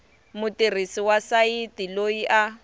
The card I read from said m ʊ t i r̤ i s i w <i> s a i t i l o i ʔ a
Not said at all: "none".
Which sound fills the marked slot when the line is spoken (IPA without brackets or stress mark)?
a